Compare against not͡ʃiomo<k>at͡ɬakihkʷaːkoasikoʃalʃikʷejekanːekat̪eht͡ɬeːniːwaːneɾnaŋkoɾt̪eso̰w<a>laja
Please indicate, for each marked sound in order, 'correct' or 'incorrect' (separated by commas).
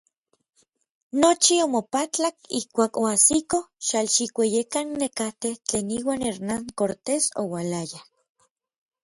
incorrect, correct